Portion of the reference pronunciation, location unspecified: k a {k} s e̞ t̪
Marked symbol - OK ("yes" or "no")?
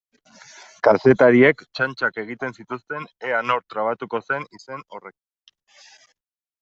no